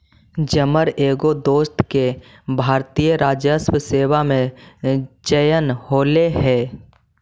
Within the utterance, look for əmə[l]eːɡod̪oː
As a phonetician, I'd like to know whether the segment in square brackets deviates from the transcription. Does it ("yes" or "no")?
yes